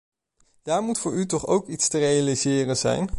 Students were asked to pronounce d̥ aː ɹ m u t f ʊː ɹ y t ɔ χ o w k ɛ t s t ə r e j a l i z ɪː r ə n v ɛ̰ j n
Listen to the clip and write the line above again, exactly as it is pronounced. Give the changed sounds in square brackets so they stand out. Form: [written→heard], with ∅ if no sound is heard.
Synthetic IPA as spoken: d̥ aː ɹ m u t f ʊː ɹ y t ɔ χ o w k [ɛ→i] t s t ə r e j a l i z ɪː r ə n [v→z] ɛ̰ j n